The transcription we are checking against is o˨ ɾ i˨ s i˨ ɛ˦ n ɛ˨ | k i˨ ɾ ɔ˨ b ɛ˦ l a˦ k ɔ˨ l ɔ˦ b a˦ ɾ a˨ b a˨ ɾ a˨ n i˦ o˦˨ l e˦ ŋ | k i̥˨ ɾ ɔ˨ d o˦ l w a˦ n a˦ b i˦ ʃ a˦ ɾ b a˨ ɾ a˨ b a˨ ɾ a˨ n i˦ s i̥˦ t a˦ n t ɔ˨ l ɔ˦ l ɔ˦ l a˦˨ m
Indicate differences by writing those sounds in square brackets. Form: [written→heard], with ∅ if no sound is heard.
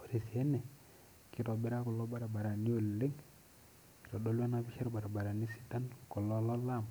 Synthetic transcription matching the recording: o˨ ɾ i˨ s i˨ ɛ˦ n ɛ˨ | k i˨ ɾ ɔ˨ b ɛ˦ [l→ɾ] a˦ k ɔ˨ l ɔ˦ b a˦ ɾ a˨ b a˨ ɾ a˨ n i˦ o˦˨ l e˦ ŋ | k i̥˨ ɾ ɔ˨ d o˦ l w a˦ n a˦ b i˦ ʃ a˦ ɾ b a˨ ɾ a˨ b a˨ ɾ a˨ n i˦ s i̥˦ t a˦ n [t→k] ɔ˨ l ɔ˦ l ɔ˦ l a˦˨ m